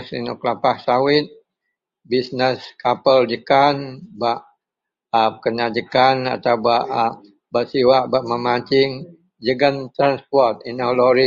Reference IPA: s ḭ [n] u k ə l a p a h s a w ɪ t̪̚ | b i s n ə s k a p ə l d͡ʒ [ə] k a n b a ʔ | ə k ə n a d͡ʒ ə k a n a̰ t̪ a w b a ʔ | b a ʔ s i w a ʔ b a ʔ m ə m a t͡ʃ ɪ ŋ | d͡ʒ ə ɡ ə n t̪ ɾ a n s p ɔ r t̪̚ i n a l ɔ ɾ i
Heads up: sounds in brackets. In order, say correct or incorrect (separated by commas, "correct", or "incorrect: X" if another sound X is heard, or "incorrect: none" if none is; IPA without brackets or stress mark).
correct, correct